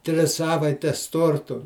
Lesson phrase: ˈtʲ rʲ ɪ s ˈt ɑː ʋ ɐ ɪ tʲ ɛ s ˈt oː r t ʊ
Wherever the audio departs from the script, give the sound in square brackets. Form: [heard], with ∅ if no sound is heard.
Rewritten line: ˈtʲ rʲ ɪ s [ˈs] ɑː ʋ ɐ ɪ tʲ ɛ s ˈt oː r t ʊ

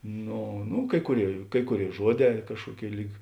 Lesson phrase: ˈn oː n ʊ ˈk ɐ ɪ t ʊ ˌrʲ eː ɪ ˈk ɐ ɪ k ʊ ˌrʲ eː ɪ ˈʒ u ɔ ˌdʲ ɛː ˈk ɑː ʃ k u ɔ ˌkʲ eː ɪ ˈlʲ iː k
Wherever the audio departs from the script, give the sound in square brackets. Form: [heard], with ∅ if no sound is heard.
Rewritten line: ˈn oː n ʊ ˈk ɐ ɪ [k] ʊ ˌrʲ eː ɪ ˈk ɐ ɪ k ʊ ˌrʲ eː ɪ ˈʒ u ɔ ˌdʲ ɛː ˈk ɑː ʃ k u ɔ ˌkʲ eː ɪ ˈlʲ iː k

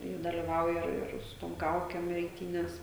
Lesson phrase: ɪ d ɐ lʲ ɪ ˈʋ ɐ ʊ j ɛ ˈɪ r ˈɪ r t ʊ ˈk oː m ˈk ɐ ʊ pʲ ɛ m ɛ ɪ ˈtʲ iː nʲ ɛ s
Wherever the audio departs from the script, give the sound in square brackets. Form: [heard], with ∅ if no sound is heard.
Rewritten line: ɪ d ɐ lʲ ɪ ˈʋ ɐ ʊ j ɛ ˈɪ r ˈɪ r [s] ʊ [ˈt] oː m ˈk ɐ ʊ [kʲ] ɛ m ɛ ɪ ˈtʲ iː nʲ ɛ s

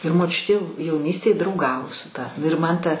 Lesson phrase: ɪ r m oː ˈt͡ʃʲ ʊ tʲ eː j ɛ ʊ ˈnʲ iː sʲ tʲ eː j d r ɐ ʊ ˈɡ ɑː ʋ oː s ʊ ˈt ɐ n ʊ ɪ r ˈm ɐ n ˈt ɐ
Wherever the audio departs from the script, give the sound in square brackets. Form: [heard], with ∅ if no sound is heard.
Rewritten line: ɪ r m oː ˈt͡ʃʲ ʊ tʲ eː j ɛ ʊ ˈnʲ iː sʲ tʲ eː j d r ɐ ʊ ˈɡ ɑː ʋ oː s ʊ ˈt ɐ n ʊ ɪ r ˈm ɐ n ˈt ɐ

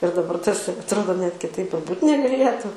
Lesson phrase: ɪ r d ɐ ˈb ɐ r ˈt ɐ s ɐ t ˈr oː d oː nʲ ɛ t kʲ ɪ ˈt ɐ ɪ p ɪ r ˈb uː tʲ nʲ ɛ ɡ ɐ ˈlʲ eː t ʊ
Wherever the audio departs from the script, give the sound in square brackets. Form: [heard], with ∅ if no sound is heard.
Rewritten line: ɪ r d ɐ ˈb ɐ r ˈt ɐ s ɐ t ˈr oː d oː nʲ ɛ t kʲ ɪ ˈt ɐ ɪ p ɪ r ˈb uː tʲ nʲ ɛ ɡ ɐ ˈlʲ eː t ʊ

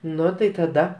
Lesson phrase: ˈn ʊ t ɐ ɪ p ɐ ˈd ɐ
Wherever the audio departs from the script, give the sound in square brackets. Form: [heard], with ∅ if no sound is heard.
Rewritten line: ˈn ʊ t ɐ ɪ [t] ɐ ˈd ɐ

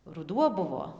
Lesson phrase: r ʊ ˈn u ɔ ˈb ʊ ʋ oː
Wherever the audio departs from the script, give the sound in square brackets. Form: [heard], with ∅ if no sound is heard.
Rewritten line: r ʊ [ˈd] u ɔ ˈb ʊ ʋ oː

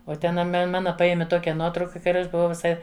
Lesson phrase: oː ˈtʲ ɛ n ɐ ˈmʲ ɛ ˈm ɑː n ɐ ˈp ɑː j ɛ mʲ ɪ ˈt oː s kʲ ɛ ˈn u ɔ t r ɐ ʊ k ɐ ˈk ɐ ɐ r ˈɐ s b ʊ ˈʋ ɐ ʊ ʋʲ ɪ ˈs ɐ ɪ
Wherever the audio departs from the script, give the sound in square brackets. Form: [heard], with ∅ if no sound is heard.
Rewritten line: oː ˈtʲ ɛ n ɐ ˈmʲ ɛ ˈm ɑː n ɐ ˈp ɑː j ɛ mʲ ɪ ˈt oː [∅] kʲ ɛ ˈn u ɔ t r ɐ ʊ k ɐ ˈk ɐ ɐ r ˈɐ [ʃ] b ʊ ˈʋ ɐ ʊ ʋʲ ɪ ˈs ɐ ɪ

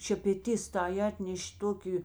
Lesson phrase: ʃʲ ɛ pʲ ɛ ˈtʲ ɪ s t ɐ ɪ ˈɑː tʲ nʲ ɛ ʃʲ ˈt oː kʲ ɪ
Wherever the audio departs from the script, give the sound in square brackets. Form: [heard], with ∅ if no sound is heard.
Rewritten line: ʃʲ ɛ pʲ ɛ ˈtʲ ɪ s t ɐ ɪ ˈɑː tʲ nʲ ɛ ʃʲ ˈt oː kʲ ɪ

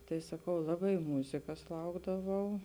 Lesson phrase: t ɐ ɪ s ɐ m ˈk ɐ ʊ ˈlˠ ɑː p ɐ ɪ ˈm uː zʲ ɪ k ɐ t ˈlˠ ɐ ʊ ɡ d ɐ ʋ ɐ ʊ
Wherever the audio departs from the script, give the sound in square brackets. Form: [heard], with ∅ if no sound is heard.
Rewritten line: t ɐ ɪ s ɐ [∅] ˈk ɐ ʊ ˈlˠ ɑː [b] ɐ ɪ ˈm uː zʲ ɪ k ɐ [s] ˈlˠ ɐ ʊ ɡ d ɐ ʋ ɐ ʊ

